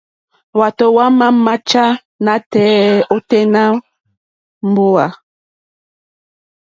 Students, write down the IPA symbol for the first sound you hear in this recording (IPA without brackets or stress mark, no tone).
w